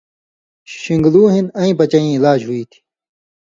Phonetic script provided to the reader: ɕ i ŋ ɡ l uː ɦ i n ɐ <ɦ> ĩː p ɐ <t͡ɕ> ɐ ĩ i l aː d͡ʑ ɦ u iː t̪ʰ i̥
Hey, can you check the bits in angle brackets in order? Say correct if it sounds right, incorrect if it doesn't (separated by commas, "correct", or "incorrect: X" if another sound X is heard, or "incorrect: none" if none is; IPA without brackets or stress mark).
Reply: incorrect: none, correct